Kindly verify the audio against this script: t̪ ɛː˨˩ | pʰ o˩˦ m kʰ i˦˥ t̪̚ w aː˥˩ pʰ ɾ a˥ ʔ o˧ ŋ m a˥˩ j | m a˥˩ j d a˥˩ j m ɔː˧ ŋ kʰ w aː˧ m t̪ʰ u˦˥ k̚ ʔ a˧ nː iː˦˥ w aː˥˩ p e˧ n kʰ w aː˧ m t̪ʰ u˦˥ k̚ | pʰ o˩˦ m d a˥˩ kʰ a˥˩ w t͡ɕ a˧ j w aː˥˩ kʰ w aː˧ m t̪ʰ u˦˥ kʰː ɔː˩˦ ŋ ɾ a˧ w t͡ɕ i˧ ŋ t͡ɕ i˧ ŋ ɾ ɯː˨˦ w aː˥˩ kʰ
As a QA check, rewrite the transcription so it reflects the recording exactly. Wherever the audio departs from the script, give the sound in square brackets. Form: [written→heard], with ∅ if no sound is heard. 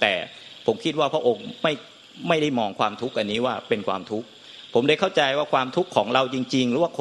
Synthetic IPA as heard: t̪ ɛː˨˩ | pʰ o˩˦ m kʰ i˦˥ t̪̚ w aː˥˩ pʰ ɾ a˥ ʔ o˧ ŋ m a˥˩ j | m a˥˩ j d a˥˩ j m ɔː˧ ŋ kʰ w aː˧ m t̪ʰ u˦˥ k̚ ʔ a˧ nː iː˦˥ w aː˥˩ p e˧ n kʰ w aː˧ m t̪ʰ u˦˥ k̚ | pʰ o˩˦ m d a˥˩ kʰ a˥˩ w t͡ɕ a˧ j w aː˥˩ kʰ w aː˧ m t̪ʰ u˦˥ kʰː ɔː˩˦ ŋ ɾ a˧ w t͡ɕ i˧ ŋ t͡ɕ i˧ ŋ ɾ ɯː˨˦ w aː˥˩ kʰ